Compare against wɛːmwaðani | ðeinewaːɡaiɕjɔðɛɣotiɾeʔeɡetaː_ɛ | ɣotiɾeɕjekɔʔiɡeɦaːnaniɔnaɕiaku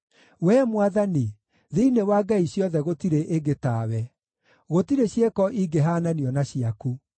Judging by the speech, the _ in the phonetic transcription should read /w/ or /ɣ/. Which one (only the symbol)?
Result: w